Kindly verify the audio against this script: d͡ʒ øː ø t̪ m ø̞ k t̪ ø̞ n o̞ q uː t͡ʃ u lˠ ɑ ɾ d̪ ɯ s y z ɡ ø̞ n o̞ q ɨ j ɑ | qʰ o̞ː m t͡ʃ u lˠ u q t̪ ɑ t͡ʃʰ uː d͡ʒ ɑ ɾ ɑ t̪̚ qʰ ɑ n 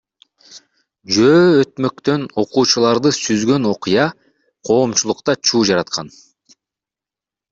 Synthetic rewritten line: d͡ʒ øː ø t̪ m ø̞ k t̪ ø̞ n o̞ q uː t͡ʃ u lˠ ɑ ɾ d̪ ɯ s y z ɡ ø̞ n o̞ q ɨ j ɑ | qʰ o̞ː m t͡ʃ u lˠ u q t̪ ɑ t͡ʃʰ uː d͡ʒ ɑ ɾ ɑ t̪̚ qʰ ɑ n